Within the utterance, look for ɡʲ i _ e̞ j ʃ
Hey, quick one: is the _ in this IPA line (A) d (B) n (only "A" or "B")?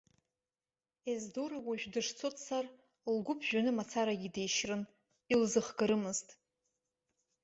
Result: A